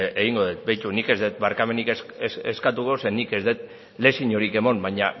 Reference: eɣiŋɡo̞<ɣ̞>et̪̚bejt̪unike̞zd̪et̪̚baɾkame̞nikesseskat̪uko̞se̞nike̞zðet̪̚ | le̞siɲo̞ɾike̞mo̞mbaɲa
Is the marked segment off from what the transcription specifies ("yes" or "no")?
yes